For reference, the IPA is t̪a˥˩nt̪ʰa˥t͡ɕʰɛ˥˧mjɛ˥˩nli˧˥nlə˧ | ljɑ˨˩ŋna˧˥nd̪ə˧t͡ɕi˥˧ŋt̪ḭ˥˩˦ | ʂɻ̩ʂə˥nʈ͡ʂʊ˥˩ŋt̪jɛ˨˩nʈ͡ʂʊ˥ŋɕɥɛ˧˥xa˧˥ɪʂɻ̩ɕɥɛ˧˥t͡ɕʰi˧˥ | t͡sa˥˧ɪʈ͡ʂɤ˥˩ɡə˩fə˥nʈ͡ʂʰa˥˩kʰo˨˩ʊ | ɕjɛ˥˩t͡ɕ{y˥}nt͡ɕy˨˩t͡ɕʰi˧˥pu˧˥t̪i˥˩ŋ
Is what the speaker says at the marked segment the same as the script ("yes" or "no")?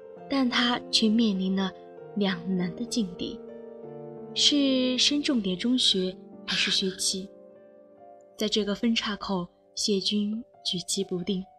yes